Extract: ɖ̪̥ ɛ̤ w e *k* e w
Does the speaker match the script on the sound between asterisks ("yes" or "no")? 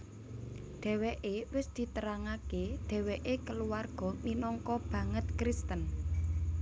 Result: no